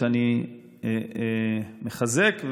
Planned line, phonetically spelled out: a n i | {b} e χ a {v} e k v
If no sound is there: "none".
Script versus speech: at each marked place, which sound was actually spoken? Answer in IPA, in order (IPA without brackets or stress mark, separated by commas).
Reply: m, z